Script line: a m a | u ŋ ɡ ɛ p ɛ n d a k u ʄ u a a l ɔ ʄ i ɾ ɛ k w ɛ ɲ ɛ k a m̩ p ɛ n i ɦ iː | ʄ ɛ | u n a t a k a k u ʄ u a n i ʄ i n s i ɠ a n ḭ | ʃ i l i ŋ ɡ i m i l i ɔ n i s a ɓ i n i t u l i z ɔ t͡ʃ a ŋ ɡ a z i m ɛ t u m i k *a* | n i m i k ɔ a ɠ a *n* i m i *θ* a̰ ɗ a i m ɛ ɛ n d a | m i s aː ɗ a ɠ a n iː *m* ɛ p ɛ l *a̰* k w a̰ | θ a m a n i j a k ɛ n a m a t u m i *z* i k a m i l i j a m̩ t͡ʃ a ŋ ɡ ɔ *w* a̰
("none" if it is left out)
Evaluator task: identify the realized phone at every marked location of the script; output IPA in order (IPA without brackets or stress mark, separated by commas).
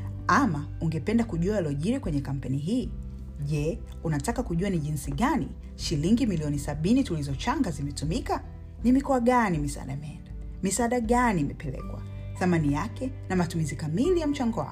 a, n, s, m, ɛ̰, z, w